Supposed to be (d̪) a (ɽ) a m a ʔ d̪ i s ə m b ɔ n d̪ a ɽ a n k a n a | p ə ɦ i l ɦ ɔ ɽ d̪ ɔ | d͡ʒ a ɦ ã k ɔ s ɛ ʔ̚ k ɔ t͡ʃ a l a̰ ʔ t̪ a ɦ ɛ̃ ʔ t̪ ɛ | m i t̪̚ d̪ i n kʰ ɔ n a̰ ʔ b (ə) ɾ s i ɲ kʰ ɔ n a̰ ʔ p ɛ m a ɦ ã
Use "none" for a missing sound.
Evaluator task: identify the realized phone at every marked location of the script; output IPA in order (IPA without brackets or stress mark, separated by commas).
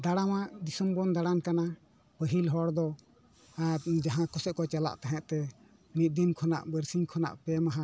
d̪, ɽ, ə